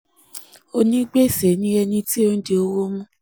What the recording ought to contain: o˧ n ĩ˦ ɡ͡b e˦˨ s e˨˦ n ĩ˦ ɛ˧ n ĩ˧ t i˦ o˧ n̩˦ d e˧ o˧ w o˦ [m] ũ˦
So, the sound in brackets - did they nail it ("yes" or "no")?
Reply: yes